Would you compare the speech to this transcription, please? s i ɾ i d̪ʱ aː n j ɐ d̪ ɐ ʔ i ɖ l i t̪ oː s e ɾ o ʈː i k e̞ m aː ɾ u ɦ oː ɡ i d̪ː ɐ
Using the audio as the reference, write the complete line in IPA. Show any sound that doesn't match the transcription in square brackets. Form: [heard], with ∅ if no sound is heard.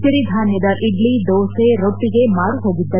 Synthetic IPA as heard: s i ɾ i d̪ʱ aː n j ɐ d̪ ɐ ʔ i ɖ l i [d̪] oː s e ɾ o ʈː i [ɡ] e̞ m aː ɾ u ɦ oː ɡ i d̪ː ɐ